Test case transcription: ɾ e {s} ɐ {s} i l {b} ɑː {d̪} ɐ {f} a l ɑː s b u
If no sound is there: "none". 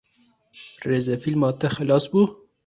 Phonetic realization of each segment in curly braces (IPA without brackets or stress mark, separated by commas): z, f, m, t̪, x